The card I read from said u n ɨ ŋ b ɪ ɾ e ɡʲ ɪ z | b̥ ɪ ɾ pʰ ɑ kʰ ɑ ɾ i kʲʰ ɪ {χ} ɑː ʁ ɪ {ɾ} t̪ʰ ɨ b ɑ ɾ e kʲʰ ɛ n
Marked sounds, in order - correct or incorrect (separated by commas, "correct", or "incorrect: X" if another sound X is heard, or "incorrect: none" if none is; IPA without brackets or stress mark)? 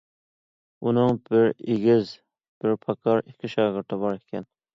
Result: incorrect: ʃ, correct